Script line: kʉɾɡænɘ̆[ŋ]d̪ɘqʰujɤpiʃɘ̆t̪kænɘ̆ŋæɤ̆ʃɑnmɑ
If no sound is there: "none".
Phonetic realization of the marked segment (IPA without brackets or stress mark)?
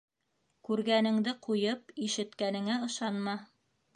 ŋ